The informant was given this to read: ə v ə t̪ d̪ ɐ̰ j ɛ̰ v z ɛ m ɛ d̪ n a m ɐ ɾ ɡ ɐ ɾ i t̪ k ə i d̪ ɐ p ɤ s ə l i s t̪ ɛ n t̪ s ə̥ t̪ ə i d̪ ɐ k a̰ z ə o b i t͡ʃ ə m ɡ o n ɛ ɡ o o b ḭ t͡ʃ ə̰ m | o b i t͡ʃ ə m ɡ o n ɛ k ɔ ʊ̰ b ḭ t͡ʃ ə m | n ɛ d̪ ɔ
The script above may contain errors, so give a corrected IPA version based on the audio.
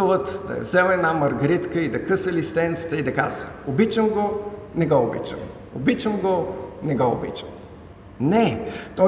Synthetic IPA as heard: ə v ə t̪ d̪ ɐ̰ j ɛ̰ v z ɛ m ɛ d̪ n a m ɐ ɾ ɡ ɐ ɾ i t̪ k ə i d̪ ɐ k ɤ s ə l i s t̪ ɛ n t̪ s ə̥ t̪ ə i d̪ ɐ k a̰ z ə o b i t͡ʃ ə m ɡ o n ɛ ɡ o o b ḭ t͡ʃ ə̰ m | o b i t͡ʃ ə m ɡ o n ɛ ɡ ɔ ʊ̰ b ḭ t͡ʃ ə m | n ɛ t̪ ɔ